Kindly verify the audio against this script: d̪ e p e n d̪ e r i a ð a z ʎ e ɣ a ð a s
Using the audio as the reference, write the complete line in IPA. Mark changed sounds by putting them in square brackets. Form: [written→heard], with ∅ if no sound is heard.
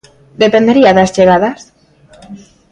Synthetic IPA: d̪ e p e n d̪ e [r→ɾ] i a ð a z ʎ e ɣ a ð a s